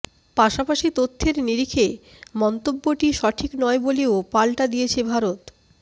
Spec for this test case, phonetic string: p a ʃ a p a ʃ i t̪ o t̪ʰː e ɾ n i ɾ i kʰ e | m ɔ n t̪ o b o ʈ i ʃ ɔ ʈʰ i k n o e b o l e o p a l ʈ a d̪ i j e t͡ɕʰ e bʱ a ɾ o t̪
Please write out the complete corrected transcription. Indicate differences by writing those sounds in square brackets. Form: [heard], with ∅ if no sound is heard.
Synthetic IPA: p a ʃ a p a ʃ i t̪ o t̪ʰː e ɾ n i ɾ i kʰ e | m ɔ n t̪ o [bː] o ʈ i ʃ ɔ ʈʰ i k n [ɔ] e b o l e o p a l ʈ a d̪ i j e t͡ɕʰ e bʱ a ɾ o t̪